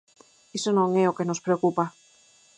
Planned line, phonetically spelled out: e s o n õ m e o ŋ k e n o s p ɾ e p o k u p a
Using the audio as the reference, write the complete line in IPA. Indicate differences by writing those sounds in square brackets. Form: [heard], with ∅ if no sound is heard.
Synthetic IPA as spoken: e s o n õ [ŋ] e o [∅] k e n o s p ɾ e [∅] o k u p a